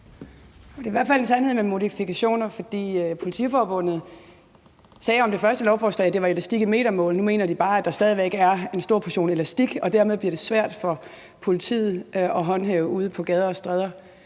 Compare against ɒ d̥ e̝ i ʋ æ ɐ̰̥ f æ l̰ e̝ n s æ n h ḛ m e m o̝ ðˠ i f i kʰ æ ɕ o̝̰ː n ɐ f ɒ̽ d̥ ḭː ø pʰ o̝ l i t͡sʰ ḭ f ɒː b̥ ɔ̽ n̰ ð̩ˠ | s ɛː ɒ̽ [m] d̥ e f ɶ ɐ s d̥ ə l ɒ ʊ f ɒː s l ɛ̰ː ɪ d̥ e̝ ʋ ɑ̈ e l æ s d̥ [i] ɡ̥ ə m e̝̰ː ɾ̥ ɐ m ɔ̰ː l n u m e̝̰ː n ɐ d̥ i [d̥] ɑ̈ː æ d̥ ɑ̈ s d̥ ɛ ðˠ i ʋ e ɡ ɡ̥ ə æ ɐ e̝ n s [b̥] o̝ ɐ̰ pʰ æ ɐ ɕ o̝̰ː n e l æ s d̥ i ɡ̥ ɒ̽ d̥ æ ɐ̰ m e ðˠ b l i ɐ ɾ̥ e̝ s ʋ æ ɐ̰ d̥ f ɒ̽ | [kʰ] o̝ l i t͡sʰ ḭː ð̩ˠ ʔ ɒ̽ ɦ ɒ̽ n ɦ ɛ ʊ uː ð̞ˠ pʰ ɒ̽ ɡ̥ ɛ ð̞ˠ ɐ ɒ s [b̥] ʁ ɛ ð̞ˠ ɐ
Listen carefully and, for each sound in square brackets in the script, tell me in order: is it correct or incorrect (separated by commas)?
correct, correct, incorrect, incorrect, incorrect, incorrect